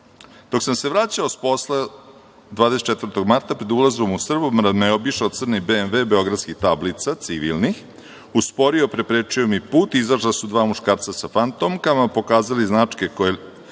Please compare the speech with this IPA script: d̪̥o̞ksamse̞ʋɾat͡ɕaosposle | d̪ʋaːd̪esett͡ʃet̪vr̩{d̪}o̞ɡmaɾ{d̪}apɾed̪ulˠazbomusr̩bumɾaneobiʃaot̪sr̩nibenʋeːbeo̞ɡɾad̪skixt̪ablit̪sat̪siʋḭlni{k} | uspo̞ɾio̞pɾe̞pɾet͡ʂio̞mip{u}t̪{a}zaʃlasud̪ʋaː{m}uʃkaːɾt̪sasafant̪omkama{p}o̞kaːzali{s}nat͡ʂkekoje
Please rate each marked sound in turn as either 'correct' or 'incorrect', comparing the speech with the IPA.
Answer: incorrect, incorrect, incorrect, incorrect, incorrect, correct, correct, incorrect

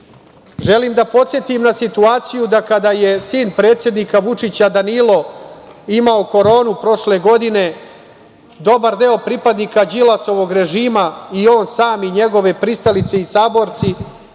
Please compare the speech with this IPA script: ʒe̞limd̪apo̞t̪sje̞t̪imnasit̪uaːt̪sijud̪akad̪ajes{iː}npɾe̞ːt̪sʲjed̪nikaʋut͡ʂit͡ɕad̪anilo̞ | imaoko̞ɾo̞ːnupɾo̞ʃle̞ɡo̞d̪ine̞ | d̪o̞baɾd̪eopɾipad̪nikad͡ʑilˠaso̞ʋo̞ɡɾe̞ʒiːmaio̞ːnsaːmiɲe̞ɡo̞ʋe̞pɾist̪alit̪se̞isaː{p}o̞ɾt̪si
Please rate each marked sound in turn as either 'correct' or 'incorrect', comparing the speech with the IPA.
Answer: correct, incorrect

